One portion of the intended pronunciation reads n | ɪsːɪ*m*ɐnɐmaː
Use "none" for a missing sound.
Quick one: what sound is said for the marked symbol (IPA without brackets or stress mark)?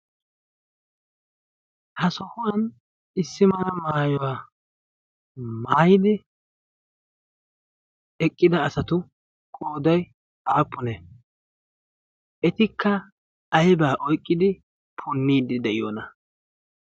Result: m